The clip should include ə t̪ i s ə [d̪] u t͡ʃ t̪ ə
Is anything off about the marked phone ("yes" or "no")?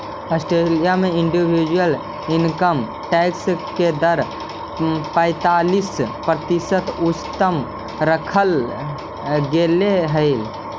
yes